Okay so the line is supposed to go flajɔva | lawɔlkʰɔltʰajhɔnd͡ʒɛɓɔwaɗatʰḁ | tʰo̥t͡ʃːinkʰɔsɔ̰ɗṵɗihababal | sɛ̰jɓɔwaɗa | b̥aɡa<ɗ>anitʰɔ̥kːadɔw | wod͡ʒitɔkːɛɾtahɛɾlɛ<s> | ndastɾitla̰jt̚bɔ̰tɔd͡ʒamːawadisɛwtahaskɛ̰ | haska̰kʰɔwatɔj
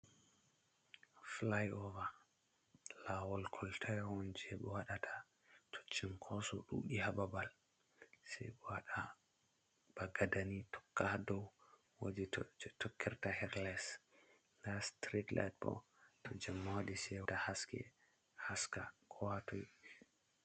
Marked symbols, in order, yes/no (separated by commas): no, yes